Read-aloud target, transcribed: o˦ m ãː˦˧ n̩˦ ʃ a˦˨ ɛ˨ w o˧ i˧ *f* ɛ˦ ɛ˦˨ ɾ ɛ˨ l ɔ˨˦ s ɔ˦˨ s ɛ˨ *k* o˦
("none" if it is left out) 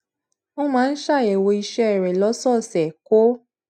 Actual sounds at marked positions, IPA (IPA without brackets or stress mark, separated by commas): ʃ, k